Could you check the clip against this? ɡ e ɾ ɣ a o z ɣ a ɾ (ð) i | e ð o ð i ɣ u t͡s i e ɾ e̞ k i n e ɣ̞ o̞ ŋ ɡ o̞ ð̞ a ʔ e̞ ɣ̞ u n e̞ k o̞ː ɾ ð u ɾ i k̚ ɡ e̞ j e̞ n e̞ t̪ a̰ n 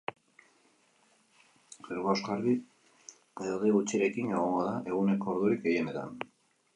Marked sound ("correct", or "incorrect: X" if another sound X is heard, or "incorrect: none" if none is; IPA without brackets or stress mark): correct